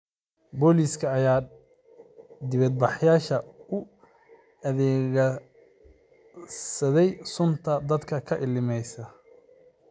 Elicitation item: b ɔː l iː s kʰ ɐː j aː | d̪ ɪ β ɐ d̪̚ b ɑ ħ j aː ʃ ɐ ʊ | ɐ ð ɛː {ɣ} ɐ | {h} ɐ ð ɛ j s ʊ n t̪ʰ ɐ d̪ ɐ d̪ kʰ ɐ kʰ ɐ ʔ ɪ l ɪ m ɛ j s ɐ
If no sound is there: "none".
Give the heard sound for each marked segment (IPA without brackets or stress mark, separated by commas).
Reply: ɣ, s